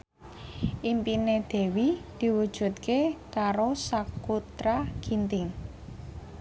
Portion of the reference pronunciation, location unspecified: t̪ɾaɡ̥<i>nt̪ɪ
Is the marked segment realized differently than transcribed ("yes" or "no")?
no